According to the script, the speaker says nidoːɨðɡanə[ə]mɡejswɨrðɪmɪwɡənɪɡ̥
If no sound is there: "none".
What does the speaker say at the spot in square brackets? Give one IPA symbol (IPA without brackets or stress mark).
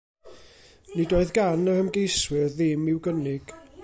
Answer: ə